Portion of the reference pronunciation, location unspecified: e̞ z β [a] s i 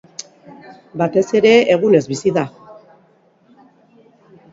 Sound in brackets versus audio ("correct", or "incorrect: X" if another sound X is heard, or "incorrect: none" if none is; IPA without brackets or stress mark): incorrect: i